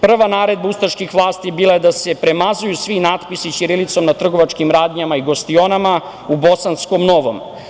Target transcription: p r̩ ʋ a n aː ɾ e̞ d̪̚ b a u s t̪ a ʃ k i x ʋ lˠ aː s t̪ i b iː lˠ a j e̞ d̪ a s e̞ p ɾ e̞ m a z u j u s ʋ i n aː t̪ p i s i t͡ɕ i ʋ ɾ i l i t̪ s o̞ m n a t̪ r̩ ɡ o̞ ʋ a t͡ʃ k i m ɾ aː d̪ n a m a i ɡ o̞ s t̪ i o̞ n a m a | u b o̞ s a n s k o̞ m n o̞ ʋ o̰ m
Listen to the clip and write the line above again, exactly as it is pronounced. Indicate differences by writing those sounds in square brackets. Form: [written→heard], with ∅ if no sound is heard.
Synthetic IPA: p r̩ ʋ a n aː ɾ e̞ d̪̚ b a u s t̪ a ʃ k i x ʋ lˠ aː s t̪ i b iː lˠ a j e̞ d̪ a s e̞ p ɾ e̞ m a z u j u s ʋ i n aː t̪ p i s i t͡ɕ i [ʋ→∅] ɾ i l i t̪ s o̞ m n a t̪ r̩ ɡ o̞ ʋ a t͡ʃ k i m ɾ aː d̪ [n→ɲ] a m a i ɡ o̞ s t̪ i o̞ n a m a | u b o̞ s a n s k o̞ m n o̞ ʋ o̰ m